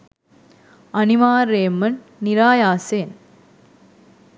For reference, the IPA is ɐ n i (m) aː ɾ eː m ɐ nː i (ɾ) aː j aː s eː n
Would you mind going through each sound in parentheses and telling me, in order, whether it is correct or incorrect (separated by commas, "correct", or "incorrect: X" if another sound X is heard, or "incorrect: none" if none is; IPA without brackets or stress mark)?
correct, correct